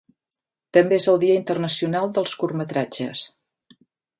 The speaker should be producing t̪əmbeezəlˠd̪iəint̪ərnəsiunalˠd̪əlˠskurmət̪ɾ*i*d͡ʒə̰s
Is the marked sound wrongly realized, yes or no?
yes